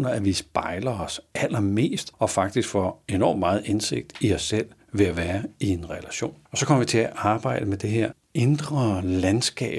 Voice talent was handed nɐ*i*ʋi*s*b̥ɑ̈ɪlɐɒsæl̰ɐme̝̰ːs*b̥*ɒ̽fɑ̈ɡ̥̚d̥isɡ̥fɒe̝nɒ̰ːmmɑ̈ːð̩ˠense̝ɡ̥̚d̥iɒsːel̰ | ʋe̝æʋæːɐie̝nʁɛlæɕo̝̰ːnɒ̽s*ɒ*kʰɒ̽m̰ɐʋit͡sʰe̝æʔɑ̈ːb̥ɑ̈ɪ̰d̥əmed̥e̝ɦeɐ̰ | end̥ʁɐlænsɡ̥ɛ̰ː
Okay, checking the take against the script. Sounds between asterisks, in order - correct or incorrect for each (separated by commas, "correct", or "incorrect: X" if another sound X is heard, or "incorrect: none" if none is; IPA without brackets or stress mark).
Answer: incorrect: æ, correct, incorrect: d̥, correct